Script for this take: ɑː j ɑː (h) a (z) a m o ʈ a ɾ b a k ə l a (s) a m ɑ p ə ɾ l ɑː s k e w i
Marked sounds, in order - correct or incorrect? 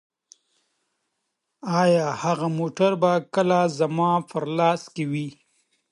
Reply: correct, incorrect: ɣ, incorrect: z

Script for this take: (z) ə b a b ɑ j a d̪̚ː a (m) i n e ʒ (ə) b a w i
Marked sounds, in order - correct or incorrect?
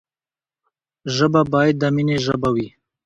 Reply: incorrect: ʒ, correct, correct

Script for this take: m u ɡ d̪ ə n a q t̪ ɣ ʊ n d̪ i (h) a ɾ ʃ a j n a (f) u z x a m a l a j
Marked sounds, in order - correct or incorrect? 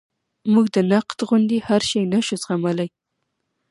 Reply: correct, incorrect: ʃ

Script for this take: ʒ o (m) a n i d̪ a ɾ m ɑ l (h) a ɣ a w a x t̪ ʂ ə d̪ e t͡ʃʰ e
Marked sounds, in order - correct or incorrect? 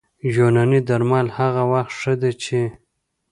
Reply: incorrect: n, correct

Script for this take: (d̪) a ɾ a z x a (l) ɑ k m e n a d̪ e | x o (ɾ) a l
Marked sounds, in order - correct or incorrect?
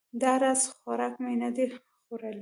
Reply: correct, incorrect: ɾ, correct

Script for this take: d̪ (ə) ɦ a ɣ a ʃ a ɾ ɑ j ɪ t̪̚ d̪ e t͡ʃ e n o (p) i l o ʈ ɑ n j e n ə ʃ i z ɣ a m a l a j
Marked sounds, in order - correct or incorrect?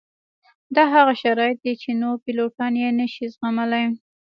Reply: incorrect: ɑ, correct

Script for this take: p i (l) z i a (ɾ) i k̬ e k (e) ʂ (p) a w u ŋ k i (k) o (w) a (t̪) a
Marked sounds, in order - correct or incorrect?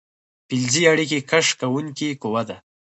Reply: correct, incorrect: ɽ, incorrect: a, incorrect: k, correct, correct, incorrect: d̪

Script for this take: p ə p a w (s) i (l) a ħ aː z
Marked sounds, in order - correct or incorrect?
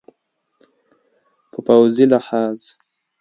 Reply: incorrect: z, correct

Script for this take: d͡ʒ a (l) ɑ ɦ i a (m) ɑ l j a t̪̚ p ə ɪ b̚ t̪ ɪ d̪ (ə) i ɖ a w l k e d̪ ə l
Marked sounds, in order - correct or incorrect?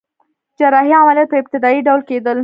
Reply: incorrect: ɾ, correct, incorrect: ɑ

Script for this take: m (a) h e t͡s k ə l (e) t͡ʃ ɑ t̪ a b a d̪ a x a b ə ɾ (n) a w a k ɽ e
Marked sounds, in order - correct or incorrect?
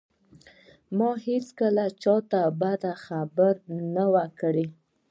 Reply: incorrect: ɑ, incorrect: a, correct

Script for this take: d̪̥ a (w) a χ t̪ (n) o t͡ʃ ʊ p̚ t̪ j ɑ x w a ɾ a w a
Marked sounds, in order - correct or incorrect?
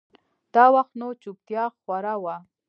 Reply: correct, correct

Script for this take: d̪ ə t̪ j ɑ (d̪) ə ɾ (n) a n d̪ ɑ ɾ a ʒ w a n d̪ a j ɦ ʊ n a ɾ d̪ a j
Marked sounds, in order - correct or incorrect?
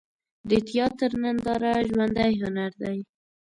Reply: incorrect: t̪, correct

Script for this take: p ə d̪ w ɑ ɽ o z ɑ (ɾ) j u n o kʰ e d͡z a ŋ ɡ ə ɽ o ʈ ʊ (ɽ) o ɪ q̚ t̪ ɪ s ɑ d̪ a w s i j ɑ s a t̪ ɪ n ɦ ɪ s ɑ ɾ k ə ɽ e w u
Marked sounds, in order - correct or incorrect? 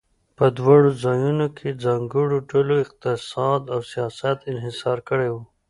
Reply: incorrect: none, incorrect: l

